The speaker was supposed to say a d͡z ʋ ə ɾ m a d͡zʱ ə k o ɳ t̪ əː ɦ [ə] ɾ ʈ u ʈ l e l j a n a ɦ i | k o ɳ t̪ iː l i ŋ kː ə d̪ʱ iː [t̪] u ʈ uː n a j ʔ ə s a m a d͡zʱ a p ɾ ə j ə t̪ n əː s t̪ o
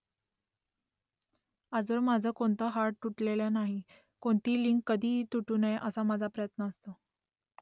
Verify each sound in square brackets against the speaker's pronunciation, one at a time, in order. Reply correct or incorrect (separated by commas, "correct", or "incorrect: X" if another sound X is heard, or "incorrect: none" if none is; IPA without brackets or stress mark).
incorrect: a, correct